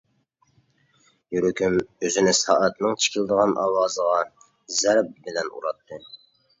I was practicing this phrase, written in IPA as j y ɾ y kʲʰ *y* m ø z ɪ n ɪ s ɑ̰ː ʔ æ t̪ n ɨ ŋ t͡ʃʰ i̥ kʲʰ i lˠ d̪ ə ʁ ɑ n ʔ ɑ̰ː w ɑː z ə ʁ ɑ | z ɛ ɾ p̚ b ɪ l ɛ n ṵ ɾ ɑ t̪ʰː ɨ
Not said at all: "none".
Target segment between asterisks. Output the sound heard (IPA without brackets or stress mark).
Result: y